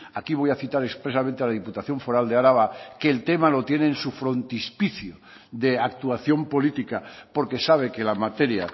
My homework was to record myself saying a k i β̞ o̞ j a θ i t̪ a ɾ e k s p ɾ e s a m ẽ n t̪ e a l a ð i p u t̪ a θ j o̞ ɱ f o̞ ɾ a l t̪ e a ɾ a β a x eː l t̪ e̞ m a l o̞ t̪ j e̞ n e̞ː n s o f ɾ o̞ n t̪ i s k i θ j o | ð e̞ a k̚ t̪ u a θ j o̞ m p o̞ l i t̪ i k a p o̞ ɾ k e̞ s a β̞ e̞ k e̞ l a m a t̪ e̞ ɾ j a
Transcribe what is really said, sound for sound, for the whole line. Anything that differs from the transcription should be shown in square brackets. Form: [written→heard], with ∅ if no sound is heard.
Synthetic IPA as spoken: a k i β̞ o̞ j a θ i t̪ a ɾ e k s p ɾ e s a m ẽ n t̪ e a l a ð i p u t̪ a θ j o̞ ɱ f o̞ ɾ a l [t̪→d̪] e a ɾ a β a [x→k] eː l t̪ e̞ m a l o̞ t̪ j e̞ n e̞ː n s [o→u] f ɾ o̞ n t̪ i s [k→p] i θ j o | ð e̞ a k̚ t̪ u a θ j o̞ m p o̞ l i t̪ i k a p o̞ ɾ k e̞ s a β̞ e̞ k e̞ l a m a t̪ e̞ ɾ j a